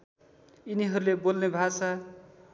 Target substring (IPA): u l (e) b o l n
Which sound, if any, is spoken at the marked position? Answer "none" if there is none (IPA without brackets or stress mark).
e